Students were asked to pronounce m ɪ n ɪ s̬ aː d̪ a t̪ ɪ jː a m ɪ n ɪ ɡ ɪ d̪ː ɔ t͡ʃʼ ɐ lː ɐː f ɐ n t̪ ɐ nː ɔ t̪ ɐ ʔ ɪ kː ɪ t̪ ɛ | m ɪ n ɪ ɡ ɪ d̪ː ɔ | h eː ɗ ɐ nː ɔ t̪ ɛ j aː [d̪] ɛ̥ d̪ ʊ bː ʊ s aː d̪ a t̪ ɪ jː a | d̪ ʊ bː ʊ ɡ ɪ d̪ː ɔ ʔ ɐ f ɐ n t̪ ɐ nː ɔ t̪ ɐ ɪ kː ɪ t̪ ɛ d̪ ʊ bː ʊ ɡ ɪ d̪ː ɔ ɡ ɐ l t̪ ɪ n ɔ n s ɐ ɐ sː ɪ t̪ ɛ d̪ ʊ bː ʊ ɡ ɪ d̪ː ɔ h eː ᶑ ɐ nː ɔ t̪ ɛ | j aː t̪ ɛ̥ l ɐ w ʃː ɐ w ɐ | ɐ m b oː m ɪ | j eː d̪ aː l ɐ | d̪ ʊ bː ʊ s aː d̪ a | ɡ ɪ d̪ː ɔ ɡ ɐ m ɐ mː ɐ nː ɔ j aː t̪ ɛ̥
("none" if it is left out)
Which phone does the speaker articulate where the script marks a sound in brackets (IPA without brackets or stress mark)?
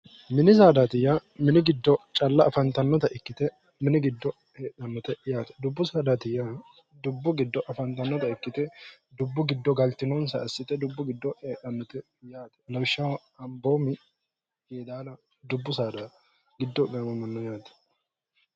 t̪